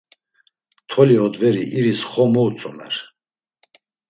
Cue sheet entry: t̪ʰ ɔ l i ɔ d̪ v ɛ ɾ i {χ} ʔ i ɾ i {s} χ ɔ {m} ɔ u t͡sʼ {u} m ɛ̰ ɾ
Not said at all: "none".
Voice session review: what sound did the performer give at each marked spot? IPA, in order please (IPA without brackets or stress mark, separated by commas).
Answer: none, s, m, ɔ